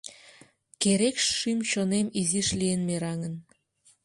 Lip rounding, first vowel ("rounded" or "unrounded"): unrounded